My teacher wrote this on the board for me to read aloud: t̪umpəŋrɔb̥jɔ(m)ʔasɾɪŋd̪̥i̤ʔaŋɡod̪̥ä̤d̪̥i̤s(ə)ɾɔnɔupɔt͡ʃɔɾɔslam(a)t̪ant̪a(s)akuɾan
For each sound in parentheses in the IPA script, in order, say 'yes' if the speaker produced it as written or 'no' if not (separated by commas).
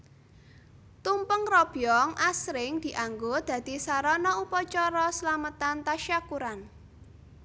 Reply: no, no, no, no